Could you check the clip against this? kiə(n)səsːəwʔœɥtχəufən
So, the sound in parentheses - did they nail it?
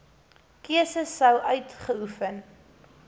no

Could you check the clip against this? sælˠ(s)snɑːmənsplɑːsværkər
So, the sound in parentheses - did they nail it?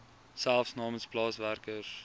no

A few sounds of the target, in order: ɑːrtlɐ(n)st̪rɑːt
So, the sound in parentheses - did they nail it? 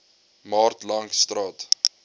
no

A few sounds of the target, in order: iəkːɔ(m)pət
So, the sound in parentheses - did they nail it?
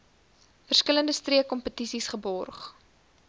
yes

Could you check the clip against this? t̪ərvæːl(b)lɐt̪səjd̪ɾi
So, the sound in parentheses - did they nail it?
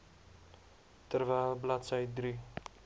yes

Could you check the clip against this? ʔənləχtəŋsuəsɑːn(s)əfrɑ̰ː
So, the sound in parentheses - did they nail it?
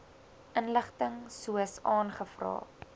no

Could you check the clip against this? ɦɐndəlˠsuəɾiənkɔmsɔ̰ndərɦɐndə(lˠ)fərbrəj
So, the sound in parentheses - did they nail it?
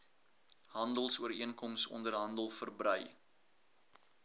yes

